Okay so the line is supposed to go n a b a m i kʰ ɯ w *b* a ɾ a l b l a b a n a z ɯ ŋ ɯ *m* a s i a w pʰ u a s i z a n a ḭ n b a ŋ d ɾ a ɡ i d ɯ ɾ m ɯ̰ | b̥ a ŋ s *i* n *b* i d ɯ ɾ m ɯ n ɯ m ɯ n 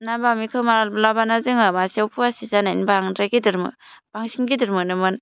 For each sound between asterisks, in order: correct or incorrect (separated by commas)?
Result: incorrect, correct, correct, incorrect